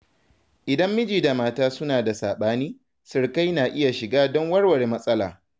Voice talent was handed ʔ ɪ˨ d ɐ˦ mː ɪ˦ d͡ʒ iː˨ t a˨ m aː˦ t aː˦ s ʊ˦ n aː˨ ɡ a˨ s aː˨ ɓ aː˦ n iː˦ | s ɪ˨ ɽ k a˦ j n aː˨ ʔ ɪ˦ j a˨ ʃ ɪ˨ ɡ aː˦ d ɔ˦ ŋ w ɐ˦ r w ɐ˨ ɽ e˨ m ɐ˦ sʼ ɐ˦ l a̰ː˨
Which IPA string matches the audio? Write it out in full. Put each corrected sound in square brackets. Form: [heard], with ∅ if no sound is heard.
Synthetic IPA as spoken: ʔ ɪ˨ d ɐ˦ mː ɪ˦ d͡ʒ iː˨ [d] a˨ m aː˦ t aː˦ s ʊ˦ n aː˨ [d] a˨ s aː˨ ɓ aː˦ n iː˦ | s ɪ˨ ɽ k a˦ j n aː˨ ʔ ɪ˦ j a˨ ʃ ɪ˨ ɡ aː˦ d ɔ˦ ŋ w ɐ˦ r w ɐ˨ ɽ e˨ m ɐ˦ sʼ ɐ˦ l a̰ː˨

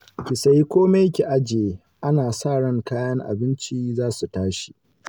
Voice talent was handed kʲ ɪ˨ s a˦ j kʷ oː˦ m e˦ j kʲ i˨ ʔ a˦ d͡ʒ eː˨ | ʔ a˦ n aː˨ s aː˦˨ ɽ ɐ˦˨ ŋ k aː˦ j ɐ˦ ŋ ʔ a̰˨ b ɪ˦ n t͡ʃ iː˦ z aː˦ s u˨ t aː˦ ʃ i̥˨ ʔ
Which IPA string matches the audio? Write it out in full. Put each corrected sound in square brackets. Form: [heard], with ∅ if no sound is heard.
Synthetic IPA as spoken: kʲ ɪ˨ s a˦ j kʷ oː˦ m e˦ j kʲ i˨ ʔ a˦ d͡ʒ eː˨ | ʔ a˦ n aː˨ s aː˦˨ ɽ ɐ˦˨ ŋ k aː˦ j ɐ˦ ŋ ʔ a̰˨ b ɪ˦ n t͡ʃ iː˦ z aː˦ s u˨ t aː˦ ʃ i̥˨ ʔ

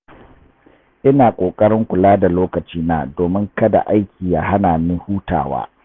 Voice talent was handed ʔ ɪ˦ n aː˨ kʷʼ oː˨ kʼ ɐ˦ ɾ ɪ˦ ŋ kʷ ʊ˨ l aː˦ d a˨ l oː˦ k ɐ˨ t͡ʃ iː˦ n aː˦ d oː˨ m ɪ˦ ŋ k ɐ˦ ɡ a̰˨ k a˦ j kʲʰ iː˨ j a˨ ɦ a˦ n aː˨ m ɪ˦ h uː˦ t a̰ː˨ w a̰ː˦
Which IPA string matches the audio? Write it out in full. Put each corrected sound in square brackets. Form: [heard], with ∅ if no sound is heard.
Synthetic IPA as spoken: ʔ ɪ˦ n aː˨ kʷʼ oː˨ kʼ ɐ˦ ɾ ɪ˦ ŋ kʷ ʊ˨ l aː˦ d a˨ l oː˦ k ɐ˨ t͡ʃ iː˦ n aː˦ d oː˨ m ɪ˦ ŋ k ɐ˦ [d] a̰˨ [ʔ] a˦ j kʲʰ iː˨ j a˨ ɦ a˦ n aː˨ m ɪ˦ h uː˦ t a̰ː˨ w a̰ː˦

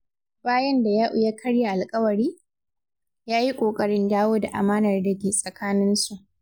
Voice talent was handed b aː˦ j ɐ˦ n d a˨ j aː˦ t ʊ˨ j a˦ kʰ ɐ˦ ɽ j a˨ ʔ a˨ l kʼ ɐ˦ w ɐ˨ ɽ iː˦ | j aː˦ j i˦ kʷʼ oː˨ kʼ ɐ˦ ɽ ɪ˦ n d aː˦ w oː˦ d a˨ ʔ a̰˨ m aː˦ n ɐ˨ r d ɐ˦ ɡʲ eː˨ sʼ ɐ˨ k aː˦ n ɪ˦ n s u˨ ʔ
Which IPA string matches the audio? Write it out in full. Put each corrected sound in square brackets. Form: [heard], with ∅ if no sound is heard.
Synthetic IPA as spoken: b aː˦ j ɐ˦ n d a˨ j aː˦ [ʔ] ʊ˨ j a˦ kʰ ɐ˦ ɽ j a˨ ʔ a˨ l kʼ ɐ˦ w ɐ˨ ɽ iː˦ | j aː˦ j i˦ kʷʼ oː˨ kʼ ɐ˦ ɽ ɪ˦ n d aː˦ w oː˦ d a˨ ʔ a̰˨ m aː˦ n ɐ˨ r d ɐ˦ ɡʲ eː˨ sʼ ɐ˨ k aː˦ n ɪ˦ n s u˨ ʔ

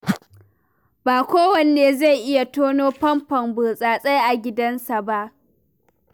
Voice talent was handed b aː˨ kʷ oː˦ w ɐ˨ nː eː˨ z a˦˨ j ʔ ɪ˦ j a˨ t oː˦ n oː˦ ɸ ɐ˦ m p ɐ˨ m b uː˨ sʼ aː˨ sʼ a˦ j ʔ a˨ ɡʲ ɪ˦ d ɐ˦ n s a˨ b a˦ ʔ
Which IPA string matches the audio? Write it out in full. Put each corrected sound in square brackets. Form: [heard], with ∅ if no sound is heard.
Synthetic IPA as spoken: b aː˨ kʷ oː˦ w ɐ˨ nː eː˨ z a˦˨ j ʔ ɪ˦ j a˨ t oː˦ n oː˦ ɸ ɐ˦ m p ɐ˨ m b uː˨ sʼ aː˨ sʼ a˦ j ʔ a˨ ɡʲ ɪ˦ d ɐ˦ n s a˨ b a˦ ʔ

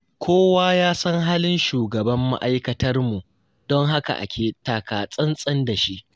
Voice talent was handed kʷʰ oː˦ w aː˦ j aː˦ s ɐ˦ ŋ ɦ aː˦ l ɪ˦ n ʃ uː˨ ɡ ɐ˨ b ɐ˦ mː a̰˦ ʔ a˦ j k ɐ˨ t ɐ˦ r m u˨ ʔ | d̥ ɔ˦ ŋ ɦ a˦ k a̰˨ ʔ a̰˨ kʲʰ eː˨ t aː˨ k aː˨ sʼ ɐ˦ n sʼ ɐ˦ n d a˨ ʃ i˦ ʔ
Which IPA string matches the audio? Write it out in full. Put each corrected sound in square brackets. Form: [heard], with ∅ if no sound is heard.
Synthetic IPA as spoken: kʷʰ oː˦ w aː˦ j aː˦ s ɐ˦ ŋ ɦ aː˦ l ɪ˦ n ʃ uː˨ ɡ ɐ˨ b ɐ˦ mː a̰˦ ʔ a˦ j k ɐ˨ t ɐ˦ r m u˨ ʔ | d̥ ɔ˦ ŋ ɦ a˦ k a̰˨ ʔ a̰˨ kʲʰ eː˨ t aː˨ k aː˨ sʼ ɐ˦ n sʼ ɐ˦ n d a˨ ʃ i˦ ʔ

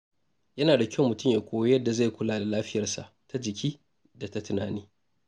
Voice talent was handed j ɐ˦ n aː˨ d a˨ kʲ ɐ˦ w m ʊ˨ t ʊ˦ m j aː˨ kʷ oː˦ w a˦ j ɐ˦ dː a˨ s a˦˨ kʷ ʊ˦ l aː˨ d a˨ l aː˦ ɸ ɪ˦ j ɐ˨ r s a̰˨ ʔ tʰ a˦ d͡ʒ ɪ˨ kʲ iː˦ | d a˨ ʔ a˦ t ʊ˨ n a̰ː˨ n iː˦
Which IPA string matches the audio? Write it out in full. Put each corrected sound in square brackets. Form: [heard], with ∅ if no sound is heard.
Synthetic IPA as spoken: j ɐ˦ n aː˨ d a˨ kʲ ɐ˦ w m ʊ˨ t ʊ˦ m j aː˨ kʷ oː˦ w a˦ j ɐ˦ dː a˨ [z] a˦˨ kʷ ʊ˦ l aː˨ d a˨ l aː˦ ɸ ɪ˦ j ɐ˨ r s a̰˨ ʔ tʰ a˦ d͡ʒ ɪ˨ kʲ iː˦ | d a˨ [t] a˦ t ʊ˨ n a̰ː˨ n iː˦

